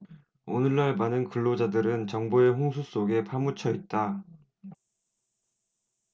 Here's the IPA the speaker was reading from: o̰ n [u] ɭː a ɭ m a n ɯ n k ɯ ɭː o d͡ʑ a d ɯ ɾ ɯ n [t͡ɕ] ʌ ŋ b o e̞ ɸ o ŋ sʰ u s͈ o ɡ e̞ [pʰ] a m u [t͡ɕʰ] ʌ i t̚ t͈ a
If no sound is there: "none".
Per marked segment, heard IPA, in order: ɯ, t͡ɕ, pʰ, t͡ɕʰ

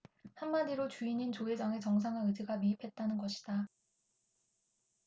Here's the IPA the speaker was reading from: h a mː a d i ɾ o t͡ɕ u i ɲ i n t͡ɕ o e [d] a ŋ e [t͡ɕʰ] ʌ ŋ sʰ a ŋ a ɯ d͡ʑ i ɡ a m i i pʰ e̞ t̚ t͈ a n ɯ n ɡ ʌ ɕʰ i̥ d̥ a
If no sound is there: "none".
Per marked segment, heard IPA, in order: d͡ʑ, t͡ɕ

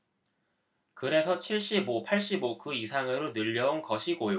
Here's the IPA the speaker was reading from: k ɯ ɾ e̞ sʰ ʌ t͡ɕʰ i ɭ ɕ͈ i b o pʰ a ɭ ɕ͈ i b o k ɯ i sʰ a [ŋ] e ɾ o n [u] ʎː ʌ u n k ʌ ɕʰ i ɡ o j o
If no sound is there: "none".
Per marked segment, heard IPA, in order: ŋ, ɯ

